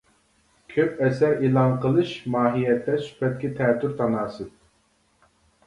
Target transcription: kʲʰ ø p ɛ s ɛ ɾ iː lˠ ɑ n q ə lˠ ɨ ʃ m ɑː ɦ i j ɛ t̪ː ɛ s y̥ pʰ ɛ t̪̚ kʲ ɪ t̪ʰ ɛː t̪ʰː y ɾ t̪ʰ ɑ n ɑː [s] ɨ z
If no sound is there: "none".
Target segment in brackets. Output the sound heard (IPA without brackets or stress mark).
s